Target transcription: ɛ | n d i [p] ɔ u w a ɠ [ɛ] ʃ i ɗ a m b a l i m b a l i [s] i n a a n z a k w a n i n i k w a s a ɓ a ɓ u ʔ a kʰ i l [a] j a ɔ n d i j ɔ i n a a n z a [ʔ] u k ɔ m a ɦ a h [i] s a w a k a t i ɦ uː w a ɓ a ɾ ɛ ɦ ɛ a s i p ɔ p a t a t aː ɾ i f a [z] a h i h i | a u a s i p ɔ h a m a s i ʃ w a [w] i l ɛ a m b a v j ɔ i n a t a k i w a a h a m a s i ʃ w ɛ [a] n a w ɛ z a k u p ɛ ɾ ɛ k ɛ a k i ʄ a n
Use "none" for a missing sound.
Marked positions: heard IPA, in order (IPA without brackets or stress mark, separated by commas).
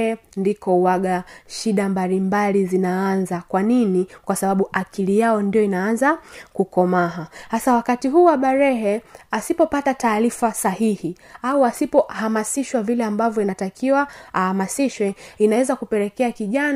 k, a, z, i, k, a, s, v, i